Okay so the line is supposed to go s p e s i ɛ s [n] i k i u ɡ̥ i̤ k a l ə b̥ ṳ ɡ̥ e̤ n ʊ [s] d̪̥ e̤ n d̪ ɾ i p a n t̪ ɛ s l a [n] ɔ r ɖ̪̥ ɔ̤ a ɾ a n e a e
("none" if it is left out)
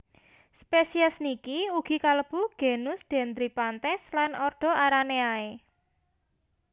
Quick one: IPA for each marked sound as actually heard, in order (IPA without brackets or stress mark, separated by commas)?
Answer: n, s, n